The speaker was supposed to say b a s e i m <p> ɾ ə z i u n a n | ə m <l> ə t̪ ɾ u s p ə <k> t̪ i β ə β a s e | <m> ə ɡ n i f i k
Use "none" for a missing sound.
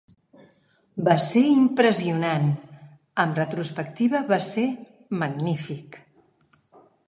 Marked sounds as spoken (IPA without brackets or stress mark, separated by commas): p, r, k, m